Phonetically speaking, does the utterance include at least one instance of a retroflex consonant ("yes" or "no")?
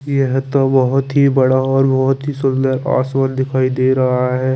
yes